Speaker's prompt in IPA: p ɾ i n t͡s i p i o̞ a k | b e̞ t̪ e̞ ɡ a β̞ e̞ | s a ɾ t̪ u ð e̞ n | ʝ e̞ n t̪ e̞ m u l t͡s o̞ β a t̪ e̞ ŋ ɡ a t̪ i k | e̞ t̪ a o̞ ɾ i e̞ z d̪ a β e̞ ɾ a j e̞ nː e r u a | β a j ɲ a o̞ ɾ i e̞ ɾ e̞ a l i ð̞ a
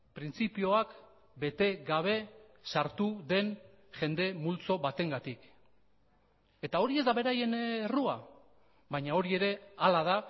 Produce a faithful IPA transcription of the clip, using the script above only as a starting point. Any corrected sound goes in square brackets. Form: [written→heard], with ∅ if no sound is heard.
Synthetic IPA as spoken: p ɾ i n t͡s i p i o̞ a k | b e̞ t̪ e̞ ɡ a β̞ e̞ | s a ɾ t̪ u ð e̞ n | ʝ e̞ n [t̪→d̪] e̞ m u l t͡s o̞ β a t̪ e̞ ŋ ɡ a t̪ i k | e̞ t̪ a o̞ ɾ i e̞ z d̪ a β e̞ ɾ a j e̞ [nː→n] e r u a | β a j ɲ a o̞ ɾ i e̞ ɾ e̞ a l [i→a] ð̞ a